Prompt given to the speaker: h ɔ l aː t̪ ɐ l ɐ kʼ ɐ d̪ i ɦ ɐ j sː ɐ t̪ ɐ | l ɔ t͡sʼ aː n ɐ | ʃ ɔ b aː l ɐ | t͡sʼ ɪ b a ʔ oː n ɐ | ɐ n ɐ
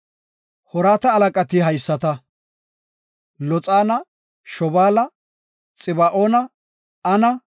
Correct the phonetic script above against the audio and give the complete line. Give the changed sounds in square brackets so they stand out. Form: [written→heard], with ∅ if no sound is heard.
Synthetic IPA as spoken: h ɔ [l→ɾ] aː t̪ [ɐ→ɐː] l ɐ kʼ ɐ [d̪→t̪] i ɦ ɐ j sː ɐ t̪ ɐ | l ɔ t͡sʼ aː n ɐ | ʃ ɔ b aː l ɐ | t͡sʼ ɪ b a ʔ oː n ɐ | ɐ n ɐ